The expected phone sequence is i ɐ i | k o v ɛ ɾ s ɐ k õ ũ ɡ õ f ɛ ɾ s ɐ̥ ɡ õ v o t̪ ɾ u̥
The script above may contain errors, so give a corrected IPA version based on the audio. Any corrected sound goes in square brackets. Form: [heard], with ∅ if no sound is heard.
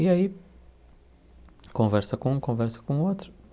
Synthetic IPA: i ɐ i | k [õ] v ɛ ɾ s ɐ k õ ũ [k] õ [v] ɛ ɾ s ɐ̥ [k] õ [∅] o t̪ ɾ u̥